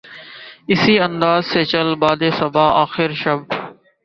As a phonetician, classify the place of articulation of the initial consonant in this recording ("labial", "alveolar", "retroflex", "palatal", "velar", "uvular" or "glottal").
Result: alveolar